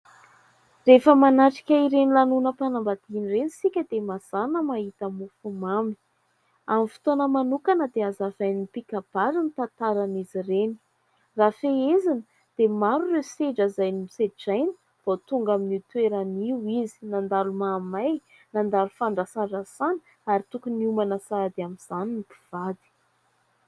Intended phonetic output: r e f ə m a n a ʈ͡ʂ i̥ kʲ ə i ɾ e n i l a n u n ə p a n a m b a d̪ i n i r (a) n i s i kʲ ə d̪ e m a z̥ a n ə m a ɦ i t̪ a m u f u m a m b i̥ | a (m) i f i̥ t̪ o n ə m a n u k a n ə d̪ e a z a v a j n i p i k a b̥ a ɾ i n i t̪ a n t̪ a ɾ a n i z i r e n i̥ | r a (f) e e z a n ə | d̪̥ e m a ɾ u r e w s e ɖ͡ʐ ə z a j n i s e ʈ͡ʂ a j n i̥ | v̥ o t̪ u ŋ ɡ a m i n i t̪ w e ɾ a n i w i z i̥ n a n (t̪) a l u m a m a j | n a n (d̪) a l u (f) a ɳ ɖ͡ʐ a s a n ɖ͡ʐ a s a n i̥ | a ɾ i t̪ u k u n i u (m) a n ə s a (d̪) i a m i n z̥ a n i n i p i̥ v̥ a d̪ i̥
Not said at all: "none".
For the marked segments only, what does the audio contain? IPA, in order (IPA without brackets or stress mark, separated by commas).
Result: e, m, f, d̪, d̪, f, m, d̪